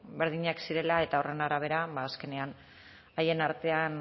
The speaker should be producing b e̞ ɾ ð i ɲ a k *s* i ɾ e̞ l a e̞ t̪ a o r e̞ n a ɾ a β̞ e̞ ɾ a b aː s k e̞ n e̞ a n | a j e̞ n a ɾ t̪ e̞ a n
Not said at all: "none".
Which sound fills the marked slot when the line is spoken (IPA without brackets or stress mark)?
s